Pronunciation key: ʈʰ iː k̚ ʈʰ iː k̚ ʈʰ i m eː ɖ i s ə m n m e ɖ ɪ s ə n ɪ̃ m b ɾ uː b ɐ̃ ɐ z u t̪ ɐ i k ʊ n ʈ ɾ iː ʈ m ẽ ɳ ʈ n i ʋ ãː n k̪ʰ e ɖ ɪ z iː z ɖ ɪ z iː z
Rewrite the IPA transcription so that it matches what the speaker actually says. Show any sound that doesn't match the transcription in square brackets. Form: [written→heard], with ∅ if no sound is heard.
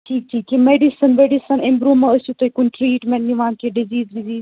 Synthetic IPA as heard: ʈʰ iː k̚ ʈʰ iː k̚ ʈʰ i m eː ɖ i s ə [m→∅] n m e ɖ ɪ s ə n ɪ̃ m b ɾ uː [b→m] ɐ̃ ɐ [z→s] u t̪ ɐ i k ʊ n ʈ ɾ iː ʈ m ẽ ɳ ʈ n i ʋ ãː n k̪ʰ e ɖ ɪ z iː z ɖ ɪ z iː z